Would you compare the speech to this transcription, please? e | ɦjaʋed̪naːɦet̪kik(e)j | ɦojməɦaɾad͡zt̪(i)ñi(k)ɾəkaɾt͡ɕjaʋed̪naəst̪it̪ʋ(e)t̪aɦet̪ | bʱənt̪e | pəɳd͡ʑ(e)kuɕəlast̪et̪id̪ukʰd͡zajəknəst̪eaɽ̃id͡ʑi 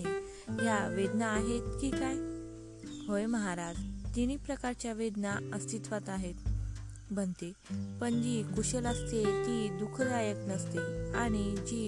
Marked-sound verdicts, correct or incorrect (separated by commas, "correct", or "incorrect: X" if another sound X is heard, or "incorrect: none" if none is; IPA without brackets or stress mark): incorrect: a, correct, incorrect: p, incorrect: a, incorrect: i